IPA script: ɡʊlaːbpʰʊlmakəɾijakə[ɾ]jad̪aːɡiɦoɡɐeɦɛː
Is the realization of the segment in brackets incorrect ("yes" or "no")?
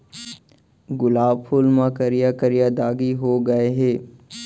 no